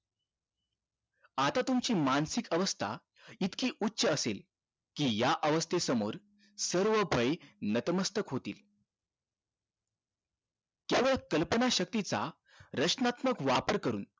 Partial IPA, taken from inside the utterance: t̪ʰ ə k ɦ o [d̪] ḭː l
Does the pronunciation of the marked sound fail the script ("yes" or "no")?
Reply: yes